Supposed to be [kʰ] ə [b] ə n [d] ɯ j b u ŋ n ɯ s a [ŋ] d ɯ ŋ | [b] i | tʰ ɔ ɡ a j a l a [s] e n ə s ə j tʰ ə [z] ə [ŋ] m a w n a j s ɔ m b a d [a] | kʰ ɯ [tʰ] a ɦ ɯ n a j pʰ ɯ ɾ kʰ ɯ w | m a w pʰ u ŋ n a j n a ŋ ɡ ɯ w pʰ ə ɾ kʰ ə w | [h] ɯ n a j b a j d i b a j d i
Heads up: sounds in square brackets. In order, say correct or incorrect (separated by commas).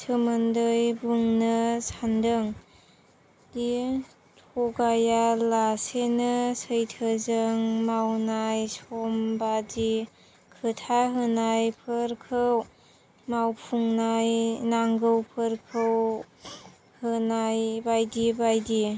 incorrect, incorrect, correct, incorrect, incorrect, correct, correct, correct, incorrect, correct, correct